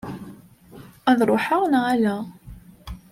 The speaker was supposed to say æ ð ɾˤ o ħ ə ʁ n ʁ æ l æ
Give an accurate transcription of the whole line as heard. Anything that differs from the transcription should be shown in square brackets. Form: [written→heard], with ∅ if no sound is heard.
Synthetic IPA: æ ð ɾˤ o ħ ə ʁ n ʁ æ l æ